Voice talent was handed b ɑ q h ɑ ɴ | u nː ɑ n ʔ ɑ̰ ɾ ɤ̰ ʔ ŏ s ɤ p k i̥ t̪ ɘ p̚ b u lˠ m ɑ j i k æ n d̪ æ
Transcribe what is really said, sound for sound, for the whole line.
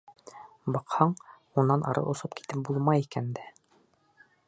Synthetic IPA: b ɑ q h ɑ ɴ | u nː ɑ n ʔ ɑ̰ ɾ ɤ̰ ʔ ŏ s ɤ p k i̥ t̪ ɘ p̚ b u lˠ m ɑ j i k æ n d̪ æ